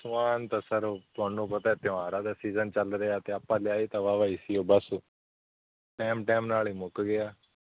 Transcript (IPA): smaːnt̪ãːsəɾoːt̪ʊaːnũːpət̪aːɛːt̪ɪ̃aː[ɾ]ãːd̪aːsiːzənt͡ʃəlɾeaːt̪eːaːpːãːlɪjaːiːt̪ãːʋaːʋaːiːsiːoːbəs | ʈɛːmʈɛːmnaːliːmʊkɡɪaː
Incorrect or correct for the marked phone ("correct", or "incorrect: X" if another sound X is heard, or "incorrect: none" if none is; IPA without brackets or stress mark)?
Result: correct